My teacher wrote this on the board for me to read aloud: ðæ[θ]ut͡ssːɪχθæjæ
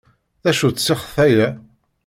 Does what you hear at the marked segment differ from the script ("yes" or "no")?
yes